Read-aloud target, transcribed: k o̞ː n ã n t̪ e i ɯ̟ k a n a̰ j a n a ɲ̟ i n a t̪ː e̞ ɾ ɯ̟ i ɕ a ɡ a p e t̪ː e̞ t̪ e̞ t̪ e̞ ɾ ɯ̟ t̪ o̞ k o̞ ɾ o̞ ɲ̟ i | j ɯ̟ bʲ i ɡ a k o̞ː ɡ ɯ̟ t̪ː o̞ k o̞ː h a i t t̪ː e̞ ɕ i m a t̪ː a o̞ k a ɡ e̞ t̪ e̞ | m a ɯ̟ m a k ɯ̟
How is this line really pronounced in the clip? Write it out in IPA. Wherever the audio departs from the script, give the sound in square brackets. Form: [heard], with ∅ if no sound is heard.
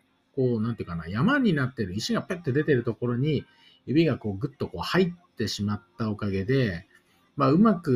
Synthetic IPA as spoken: k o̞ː n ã n t̪ e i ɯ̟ k a n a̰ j a [m] a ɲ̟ i n a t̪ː e̞ ɾ ɯ̟ i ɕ [i] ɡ a p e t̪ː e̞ [d̪] e̞ t̪ e̞ ɾ ɯ̟ t̪ o̞ k o̞ ɾ o̞ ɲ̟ i | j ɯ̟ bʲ i ɡ a k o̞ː ɡ ɯ̟ t̪ː o̞ k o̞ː h a i t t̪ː e̞ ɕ i m a t̪ː a o̞ k a ɡ e̞ [d̪] e̞ | m a ɯ̟ m a k ɯ̟